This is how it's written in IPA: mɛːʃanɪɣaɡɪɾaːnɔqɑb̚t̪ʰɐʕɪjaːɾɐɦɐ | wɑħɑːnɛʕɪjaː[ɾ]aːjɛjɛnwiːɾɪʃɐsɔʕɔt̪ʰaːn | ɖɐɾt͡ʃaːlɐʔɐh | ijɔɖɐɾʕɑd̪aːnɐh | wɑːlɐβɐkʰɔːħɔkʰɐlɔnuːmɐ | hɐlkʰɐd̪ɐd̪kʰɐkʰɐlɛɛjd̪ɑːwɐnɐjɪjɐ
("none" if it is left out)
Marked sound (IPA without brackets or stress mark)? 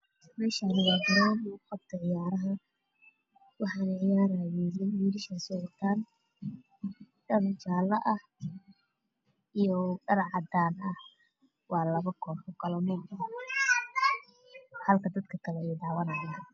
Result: ɾ